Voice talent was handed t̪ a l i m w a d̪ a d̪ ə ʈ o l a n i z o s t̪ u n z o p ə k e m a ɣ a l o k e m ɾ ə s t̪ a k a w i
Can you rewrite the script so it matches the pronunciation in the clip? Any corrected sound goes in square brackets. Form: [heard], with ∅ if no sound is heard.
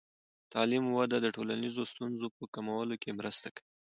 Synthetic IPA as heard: t̪ [ɑ] l i m w a d̪ a d̪ ə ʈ o l a n i z o s t̪ u n z o p ə k [a] m a [w] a l o k e m ɾ ə s t̪ a k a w i